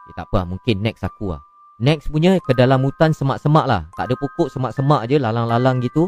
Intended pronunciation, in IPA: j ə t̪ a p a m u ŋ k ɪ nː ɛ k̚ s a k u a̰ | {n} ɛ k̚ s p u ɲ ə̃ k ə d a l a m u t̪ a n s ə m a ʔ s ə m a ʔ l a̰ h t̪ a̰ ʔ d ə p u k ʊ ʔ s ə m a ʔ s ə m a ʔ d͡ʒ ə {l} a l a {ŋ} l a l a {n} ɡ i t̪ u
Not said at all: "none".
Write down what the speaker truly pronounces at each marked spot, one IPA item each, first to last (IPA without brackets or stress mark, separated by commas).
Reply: n, l, ŋ, ŋ